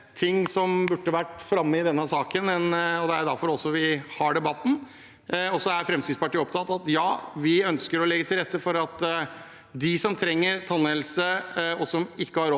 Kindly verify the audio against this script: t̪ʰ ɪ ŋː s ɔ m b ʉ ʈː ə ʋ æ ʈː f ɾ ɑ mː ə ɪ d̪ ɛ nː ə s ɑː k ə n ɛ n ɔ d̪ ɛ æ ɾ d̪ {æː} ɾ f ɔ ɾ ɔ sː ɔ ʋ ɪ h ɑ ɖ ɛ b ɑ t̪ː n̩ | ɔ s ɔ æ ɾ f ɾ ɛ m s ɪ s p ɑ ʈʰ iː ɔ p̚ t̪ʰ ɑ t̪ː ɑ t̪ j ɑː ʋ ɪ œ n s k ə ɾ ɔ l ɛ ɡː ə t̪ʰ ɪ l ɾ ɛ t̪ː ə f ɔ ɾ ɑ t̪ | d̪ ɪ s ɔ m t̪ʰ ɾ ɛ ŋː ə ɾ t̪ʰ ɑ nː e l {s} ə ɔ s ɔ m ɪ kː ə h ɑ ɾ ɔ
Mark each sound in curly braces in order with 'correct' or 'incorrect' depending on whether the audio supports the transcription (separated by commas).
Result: incorrect, correct